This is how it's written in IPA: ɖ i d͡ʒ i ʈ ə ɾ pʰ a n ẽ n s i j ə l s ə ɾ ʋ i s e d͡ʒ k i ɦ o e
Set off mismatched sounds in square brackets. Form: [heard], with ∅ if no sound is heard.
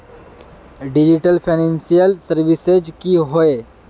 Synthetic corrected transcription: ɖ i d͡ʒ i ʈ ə [l] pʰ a n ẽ n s i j ə l s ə ɾ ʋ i s e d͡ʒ k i ɦ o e